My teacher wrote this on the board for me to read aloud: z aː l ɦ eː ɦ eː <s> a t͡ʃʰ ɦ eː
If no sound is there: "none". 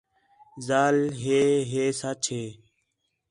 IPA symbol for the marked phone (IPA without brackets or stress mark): s